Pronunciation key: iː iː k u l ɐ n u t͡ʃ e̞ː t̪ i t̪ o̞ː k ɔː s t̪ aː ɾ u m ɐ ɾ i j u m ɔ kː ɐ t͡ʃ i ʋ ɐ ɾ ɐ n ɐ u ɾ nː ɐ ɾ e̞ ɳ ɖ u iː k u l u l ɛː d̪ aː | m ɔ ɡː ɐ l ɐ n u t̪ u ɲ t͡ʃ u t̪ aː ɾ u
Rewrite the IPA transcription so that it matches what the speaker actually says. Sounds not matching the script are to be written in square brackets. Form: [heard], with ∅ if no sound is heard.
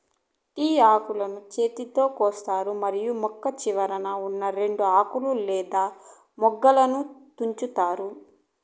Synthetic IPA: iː [aː] k u l ɐ n u t͡ʃ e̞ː t̪ i t̪ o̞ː k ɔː s t̪ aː ɾ u m ɐ ɾ i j u m ɔ kː ɐ t͡ʃ i ʋ ɐ ɾ ɐ n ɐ u [∅] nː ɐ ɾ e̞ ɳ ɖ u [aː] k u l u l ɛː d̪ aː | m ɔ ɡː ɐ l ɐ n u t̪ u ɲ t͡ʃ u t̪ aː ɾ u